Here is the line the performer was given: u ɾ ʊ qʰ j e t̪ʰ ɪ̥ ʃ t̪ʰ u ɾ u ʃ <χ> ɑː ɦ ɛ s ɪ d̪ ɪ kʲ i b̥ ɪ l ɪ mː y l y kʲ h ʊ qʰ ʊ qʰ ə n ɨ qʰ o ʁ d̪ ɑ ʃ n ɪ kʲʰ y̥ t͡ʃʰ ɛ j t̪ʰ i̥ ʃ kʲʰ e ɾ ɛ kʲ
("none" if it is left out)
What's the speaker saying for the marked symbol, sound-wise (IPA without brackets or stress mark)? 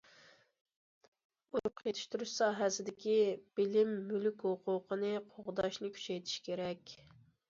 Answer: s